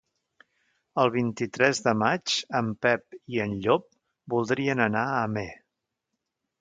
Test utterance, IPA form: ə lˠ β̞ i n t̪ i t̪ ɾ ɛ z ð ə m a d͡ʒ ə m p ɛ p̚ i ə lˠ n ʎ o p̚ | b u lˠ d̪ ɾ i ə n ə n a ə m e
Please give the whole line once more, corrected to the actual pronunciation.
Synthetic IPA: ə lˠ β̞ i n t̪ i t̪ ɾ ɛ z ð ə m a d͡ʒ ə m p ɛ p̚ i ə n ʎ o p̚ | b u lˠ d̪ ɾ i ə n ə n a ə m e